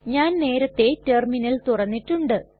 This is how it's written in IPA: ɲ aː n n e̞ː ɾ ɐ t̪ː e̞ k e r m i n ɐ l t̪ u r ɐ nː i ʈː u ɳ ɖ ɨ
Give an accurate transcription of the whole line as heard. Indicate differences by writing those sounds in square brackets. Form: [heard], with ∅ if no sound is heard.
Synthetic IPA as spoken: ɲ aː n n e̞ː ɾ ɐ t̪ː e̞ [t] e r m i n ɐ l t̪ u r ɐ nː i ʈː u ɳ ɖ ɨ